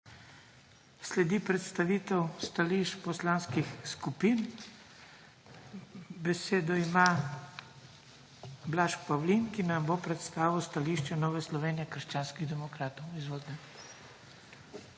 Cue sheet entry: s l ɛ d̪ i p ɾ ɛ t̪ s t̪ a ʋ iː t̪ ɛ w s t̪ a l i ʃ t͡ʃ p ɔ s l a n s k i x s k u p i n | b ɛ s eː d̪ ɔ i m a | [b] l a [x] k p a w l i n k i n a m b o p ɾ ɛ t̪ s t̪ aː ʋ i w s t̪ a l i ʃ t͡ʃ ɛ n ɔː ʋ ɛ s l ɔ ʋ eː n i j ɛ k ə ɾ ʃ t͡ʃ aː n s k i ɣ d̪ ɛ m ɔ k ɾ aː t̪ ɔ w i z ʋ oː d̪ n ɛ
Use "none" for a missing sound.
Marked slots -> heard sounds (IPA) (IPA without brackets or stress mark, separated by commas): b, ʃ